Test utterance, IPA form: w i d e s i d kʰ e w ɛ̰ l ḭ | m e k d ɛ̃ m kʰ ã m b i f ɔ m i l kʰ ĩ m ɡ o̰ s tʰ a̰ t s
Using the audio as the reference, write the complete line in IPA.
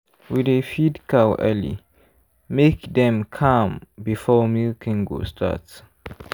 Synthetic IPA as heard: w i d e f i d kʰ a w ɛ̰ l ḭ | m e k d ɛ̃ m kʰ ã m b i f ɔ m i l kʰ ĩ ŋ ɡ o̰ s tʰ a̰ t s